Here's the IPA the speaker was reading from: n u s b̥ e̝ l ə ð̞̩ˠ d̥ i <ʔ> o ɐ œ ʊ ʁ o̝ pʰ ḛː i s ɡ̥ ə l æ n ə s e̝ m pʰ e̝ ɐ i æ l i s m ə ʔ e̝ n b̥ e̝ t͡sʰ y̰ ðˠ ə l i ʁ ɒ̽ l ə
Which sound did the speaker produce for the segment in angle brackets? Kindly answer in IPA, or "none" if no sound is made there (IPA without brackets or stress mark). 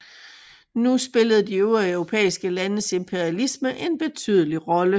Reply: none